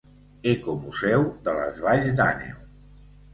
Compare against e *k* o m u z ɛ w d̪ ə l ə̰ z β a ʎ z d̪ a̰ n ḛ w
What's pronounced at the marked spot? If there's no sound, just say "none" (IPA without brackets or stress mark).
k